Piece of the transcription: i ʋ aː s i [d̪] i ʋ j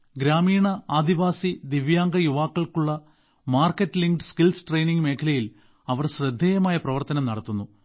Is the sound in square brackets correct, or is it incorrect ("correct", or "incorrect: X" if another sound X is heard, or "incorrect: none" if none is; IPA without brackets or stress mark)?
correct